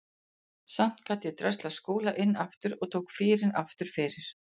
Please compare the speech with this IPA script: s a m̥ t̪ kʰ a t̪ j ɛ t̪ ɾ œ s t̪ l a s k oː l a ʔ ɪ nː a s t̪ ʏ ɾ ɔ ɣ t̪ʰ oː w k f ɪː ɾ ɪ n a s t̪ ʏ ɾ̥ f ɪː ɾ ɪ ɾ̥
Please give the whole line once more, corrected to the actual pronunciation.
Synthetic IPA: s a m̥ t̪ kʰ a t̪ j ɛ t̪ ɾ œ s t̪ l a s k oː l a ʔ ɪ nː a f t̪ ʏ ɾ ɔ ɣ t̪ʰ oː w k f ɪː ɾ ɪ n a f t̪ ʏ ɾ̥ f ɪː ɾ ɪ ɾ̥